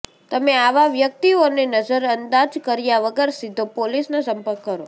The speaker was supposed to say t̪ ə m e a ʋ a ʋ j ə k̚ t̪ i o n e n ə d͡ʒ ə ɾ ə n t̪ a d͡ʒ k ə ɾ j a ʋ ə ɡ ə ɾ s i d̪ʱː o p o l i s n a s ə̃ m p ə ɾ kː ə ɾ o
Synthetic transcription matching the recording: t̪ ə m e a ʋ a ʋ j ə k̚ t̪ i o n e n ə d͡ʒ ə ɾ ə n d̪ a d͡ʒ k ə ɾ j a ʋ ə ɡ ə ɾ s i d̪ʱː o p o l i s n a s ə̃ m p ə ɾ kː ə ɾ o